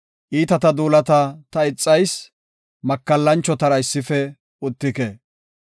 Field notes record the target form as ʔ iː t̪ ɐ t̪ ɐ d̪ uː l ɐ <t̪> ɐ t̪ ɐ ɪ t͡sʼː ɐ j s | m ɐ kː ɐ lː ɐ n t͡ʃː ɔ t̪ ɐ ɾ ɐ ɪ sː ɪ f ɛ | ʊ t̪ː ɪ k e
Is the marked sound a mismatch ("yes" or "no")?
no